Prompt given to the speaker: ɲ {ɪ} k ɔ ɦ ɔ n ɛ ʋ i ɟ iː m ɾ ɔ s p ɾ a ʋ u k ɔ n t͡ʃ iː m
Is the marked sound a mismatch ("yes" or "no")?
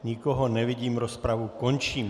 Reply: yes